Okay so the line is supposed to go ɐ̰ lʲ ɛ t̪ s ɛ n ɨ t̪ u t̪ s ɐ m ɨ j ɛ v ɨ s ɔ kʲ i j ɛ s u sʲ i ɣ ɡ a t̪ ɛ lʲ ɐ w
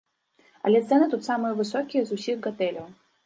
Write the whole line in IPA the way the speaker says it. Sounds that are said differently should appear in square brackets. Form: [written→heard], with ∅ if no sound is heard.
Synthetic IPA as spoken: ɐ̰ lʲ ɛ t̪ s ɛ n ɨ t̪ u t̪ s [ɐ→a] m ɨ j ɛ v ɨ s ɔ kʲ i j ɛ [s→z] u sʲ i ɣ ɡ a t̪ ɛ lʲ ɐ w

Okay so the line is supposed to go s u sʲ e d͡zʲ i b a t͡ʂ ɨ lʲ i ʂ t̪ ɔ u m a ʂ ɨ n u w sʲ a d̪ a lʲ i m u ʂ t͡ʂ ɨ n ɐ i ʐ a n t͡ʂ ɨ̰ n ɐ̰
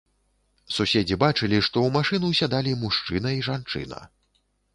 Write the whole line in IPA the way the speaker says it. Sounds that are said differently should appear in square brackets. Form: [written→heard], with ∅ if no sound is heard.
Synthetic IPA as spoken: s u sʲ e d͡zʲ i b a t͡ʂ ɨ lʲ i ʂ t̪ ɔ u m a ʂ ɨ n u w sʲ a d̪ a lʲ i m u ʂ t͡ʂ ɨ n ɐ i ʐ a n t͡ʂ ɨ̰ n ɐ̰

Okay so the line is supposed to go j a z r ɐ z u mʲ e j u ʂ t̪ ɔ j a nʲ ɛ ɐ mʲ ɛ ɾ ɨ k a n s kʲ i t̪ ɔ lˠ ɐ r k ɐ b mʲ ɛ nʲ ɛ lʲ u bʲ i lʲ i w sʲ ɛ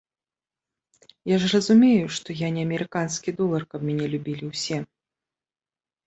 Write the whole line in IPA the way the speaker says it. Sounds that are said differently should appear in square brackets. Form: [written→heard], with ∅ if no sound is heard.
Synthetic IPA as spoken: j a [z→ʐ] r ɐ z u mʲ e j u ʂ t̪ ɔ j a nʲ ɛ ɐ mʲ ɛ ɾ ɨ k a n s kʲ i [t̪→d̪] ɔ lˠ ɐ r k ɐ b mʲ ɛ nʲ ɛ lʲ u bʲ i lʲ i w sʲ ɛ

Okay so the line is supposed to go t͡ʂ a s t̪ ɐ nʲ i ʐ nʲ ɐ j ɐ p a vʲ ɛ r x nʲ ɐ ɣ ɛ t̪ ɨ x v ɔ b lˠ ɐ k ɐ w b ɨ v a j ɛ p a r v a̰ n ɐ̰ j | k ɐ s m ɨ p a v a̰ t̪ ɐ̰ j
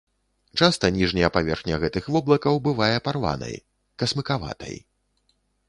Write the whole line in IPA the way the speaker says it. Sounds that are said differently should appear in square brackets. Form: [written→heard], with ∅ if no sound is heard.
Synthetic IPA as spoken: t͡ʂ a s t̪ ɐ nʲ i ʐ nʲ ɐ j ɐ p a vʲ ɛ r x nʲ ɐ ɣ ɛ t̪ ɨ x v ɔ b lˠ ɐ k ɐ w b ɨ v a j ɛ p a r v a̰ n ɐ̰ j | k ɐ s m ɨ [p→k] a v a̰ t̪ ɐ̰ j

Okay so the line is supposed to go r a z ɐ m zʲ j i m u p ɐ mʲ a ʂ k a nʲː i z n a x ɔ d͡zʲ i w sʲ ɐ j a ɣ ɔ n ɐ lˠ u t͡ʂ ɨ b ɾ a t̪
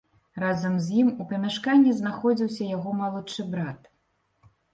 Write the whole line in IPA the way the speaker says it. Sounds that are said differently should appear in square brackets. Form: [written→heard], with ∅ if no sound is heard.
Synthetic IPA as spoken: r a z ɐ m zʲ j i m u p ɐ mʲ a ʂ k a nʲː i z n a x ɔ d͡zʲ i w sʲ ɐ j a ɣ ɔ [n→m] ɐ lˠ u t͡ʂ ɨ b ɾ a t̪

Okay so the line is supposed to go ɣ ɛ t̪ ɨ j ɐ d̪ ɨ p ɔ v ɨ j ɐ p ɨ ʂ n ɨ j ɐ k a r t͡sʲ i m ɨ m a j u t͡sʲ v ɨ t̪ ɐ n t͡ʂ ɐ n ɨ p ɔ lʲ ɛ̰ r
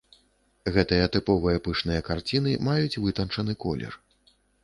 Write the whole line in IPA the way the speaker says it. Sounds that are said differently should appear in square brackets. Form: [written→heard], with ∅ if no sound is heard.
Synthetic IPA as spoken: ɣ ɛ t̪ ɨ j ɐ [d̪→t̪] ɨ p ɔ v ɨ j ɐ p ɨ ʂ n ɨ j ɐ k a r t͡sʲ i [m→n] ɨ m a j u t͡sʲ v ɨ t̪ ɐ n t͡ʂ ɐ n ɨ [p→k] ɔ lʲ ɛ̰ r

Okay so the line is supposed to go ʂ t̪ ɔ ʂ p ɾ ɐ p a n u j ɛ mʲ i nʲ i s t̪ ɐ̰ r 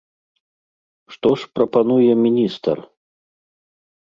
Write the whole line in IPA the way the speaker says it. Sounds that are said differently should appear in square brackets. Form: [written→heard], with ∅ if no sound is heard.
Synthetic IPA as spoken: ʂ t̪ ɔ ʂ p ɾ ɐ p a n u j ɛ mʲ i nʲ i s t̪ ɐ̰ r

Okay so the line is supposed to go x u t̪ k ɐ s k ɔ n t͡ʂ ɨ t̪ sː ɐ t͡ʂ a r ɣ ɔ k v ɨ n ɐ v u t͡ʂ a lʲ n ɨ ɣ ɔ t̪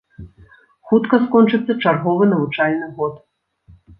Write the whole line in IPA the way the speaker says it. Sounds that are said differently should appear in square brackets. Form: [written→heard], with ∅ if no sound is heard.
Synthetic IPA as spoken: x u t̪ k ɐ s k ɔ n t͡ʂ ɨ t̪ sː ɐ t͡ʂ a r ɣ ɔ [k→∅] v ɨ n ɐ v u t͡ʂ a lʲ n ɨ ɣ ɔ t̪

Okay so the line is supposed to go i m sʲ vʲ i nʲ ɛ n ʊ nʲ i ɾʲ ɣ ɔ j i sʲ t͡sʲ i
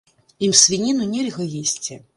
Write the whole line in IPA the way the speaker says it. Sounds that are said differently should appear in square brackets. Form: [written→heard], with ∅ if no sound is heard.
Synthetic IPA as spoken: i m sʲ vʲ i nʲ [ɛ→i] n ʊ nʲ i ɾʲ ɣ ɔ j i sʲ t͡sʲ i

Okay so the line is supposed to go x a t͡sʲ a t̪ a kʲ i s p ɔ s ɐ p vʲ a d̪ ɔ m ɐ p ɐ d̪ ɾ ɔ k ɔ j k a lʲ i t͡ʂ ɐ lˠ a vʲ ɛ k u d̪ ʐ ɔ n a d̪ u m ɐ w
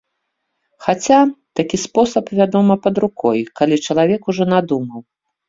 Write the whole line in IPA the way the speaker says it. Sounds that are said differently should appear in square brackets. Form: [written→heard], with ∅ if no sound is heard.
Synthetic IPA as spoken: x a t͡sʲ a t̪ a kʲ i s p ɔ s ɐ p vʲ a d̪ ɔ m ɐ p ɐ d̪ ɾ [ɔ→u] k ɔ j k a lʲ i t͡ʂ ɐ lˠ a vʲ ɛ k u [d̪→∅] ʐ ɔ n a d̪ u m ɐ w

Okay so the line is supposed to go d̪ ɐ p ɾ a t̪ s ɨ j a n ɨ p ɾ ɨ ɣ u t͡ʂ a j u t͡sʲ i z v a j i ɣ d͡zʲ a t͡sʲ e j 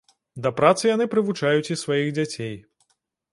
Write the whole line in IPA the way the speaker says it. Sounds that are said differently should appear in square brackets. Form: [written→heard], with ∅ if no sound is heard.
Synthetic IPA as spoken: d̪ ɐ p ɾ a t̪ s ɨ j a n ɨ p ɾ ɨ [ɣ→v] u t͡ʂ a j u t͡sʲ i [z→s] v a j i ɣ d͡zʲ a t͡sʲ e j

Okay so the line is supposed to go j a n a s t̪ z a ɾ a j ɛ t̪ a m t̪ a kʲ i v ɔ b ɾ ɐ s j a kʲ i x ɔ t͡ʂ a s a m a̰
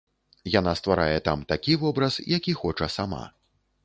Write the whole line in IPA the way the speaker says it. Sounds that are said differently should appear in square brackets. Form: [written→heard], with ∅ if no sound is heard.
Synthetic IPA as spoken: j a n a s t̪ [z→v] a ɾ a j ɛ t̪ a m t̪ a kʲ i v ɔ b ɾ ɐ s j a kʲ i x ɔ t͡ʂ [a→ɐ] s a m a̰

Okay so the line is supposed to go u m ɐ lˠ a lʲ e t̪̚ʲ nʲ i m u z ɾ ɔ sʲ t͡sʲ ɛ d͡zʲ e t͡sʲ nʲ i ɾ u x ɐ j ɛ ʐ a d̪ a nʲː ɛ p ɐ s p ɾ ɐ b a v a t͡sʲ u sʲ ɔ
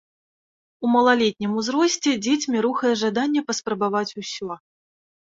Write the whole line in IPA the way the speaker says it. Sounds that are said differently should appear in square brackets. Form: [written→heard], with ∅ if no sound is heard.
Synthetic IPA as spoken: u m ɐ lˠ a lʲ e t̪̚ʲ nʲ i m u z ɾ ɔ sʲ t͡sʲ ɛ d͡zʲ e t͡sʲ [nʲ→mʲ] i ɾ u x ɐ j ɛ ʐ a d̪ a nʲː ɛ p ɐ s p ɾ ɐ b a v a t͡sʲ u sʲ ɔ

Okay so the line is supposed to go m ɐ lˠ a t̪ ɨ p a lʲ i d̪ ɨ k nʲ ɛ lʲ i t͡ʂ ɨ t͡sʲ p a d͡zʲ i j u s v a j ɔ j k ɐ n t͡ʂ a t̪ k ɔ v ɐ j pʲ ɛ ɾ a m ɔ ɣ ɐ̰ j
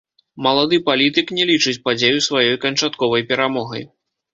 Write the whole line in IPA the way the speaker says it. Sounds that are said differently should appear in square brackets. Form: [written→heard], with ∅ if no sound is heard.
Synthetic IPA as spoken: m ɐ lˠ a [t̪→d̪] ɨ p a lʲ i [d̪→t̪] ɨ k nʲ ɛ lʲ i t͡ʂ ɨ t͡sʲ p a d͡zʲ [i→e] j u s v a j ɔ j k ɐ n t͡ʂ a t̪ k ɔ v ɐ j pʲ ɛ ɾ a m ɔ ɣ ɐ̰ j

